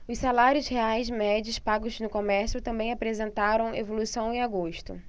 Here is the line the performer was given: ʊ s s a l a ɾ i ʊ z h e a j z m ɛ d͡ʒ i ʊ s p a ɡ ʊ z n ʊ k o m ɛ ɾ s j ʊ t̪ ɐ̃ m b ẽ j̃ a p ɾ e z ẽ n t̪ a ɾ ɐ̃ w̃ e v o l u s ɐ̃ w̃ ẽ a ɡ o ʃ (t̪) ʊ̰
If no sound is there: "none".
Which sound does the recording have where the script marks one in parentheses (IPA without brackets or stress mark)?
t̪